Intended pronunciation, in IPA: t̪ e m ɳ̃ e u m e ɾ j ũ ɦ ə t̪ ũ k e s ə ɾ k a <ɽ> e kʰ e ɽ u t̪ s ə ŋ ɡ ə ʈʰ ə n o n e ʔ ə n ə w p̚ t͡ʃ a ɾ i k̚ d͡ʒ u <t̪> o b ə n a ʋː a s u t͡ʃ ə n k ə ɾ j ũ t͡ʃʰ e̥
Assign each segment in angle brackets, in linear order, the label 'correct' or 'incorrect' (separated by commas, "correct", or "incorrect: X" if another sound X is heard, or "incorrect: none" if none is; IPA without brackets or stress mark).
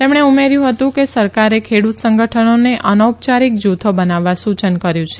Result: incorrect: ɾ, incorrect: t̪ʰ